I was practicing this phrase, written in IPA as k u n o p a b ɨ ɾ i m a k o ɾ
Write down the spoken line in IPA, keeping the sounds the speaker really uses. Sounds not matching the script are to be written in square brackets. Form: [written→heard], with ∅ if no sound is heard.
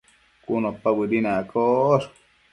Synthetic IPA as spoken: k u n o p a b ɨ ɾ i [m→n] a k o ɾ